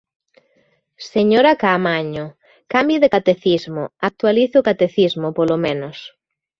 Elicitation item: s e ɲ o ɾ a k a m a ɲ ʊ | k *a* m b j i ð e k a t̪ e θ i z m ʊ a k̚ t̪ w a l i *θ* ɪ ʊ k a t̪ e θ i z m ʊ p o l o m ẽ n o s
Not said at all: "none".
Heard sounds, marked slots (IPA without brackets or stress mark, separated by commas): a, θ